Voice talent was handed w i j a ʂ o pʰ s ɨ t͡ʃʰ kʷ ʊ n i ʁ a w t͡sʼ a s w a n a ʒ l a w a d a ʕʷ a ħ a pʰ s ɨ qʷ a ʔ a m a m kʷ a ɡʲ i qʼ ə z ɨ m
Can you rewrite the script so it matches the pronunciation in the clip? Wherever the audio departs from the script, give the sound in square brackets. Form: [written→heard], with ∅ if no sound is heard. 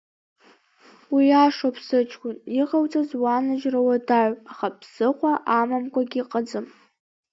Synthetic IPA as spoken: w i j a ʂ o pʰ s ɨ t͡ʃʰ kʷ ʊ n i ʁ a w t͡sʼ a [s→z] w a n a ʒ [l→r] a w a d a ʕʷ a [ħ→χ] a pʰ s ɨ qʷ a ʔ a m a m kʷ a ɡʲ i qʼ ə [z→d͡z] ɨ m

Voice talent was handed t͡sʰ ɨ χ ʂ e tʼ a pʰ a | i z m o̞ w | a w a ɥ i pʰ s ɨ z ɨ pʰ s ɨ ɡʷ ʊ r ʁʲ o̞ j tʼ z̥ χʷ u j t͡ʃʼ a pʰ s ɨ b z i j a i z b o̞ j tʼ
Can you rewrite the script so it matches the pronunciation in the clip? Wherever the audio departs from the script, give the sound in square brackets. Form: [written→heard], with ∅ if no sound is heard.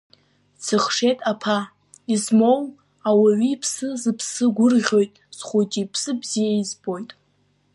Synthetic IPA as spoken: t͡sʰ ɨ χ ʂ e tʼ a pʰ a | i z m o̞ w | a w a ɥ i pʰ s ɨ z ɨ pʰ s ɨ ɡʷ ʊ r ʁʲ o̞ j tʼ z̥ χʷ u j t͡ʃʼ [a→i] pʰ s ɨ b z i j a i z b o̞ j tʼ

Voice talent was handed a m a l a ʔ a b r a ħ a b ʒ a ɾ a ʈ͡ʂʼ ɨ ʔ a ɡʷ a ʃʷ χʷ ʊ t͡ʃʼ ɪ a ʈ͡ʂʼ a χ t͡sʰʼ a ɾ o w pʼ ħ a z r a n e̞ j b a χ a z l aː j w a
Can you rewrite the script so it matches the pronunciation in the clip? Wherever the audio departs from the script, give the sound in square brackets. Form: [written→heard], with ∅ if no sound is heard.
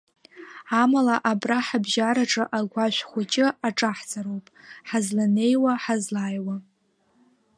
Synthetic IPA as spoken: a m a l a ʔ a b r a ħ a b ʒ a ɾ a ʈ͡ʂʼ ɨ ʔ a ɡʷ a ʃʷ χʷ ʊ t͡ʃʼ ɪ a ʈ͡ʂʼ a [χ→ħ] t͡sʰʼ a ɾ o w pʼ ħ a z [r→l] a n e̞ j [b→w] a [χ→ħ] a z l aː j w a

